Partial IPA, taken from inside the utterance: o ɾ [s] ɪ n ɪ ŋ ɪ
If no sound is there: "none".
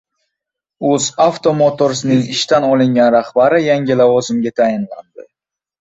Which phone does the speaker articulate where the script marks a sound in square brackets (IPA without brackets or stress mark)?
s